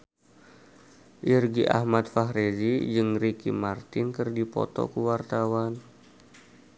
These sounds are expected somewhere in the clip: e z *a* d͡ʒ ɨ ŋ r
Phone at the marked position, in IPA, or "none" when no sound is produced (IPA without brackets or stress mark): i